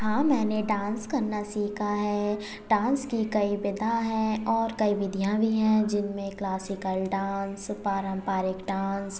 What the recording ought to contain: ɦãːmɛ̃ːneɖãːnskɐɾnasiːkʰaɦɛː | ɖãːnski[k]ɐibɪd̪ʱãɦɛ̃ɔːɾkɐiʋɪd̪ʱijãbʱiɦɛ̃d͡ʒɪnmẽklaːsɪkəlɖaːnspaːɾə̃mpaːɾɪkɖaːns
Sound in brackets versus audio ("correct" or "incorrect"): correct